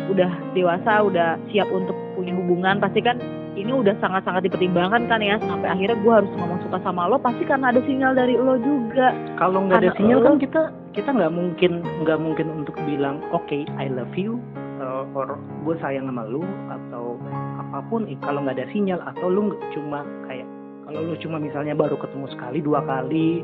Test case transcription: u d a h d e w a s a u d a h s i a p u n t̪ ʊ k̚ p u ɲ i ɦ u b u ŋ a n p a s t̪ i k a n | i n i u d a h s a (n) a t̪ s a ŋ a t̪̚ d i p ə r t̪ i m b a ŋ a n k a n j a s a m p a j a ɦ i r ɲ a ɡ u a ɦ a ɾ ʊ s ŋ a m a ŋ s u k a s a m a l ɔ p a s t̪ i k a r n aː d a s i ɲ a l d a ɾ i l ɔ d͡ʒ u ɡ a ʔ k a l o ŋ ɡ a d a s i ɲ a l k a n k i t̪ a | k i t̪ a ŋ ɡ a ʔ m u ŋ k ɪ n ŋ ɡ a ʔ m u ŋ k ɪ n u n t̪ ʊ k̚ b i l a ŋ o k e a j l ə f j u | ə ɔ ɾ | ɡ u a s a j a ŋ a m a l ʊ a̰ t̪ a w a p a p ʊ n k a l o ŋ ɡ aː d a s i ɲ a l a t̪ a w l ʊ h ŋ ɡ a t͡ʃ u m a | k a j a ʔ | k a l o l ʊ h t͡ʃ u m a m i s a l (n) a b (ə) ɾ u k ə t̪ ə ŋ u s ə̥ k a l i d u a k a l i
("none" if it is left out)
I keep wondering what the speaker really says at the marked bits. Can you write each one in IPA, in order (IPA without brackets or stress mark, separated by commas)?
ŋ, ɲ, a